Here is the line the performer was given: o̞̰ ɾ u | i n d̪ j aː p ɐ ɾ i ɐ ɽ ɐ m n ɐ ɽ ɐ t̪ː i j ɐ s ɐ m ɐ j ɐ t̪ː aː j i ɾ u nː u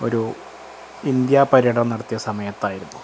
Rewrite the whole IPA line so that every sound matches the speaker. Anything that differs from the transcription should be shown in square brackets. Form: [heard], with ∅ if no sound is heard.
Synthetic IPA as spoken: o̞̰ ɾ u | i n d̪ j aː p ɐ ɾ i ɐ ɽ ɐ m n ɐ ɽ ɐ t̪ː i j ɐ s ɐ m ɐ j ɐ t̪ː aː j i ɾ u nː u